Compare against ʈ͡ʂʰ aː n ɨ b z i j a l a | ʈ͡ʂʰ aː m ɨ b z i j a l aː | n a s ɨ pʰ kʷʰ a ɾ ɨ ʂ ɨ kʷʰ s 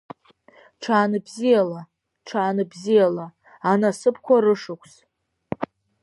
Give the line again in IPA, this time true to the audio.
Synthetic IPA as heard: ʈ͡ʂʰ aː n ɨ b z i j a l a | ʈ͡ʂʰ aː n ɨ b z i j a l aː | n a s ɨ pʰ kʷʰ a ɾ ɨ ʂ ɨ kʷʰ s